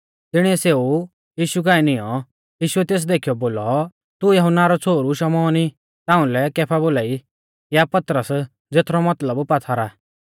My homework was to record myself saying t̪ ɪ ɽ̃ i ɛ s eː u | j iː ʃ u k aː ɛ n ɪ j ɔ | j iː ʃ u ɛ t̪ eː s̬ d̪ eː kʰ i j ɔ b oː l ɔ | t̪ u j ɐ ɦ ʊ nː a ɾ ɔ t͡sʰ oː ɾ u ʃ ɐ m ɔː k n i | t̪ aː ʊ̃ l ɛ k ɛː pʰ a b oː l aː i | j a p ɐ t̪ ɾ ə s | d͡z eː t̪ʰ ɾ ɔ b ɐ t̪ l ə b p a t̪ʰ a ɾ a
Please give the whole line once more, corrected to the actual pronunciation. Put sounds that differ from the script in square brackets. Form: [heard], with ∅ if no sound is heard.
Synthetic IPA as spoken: t̪ ɪ ɽ̃ i ɛ s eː u | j iː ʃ u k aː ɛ n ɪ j ɔ | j iː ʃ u ɛ t̪ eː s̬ d̪ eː kʰ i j ɔ b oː l ɔ | t̪ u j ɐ ɦ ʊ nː a ɾ ɔ t͡sʰ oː ɾ u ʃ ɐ m ɔː [∅] n i | t̪ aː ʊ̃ l ɛ k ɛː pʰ a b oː l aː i | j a p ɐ t̪ ɾ ə s | d͡z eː t̪ʰ ɾ ɔ [m] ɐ t̪ l ə b p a t̪ʰ a ɾ a